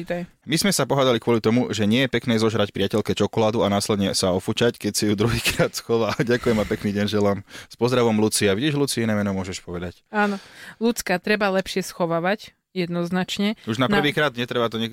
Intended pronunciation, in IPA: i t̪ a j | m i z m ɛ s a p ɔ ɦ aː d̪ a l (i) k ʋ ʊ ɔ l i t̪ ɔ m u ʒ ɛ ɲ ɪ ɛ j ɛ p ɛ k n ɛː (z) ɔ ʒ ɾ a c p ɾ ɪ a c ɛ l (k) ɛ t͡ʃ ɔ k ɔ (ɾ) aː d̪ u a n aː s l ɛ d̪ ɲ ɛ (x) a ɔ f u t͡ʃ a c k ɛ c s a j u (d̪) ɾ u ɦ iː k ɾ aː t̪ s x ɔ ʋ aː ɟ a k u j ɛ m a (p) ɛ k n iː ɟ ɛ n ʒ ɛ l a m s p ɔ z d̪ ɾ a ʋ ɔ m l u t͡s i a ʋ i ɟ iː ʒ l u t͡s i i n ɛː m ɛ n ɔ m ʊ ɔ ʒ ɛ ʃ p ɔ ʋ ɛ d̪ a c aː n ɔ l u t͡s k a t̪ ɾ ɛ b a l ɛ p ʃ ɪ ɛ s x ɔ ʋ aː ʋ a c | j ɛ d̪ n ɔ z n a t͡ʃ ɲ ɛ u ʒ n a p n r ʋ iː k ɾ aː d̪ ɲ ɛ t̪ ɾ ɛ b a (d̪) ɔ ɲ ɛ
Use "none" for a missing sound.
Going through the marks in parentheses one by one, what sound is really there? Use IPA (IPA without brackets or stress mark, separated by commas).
i, z, k, l, s, d̪, p, t̪